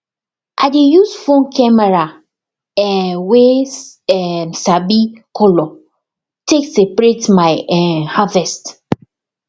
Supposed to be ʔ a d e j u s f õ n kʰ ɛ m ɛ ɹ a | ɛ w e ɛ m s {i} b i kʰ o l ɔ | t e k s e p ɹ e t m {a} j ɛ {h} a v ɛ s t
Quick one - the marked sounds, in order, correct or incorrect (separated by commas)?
incorrect, correct, correct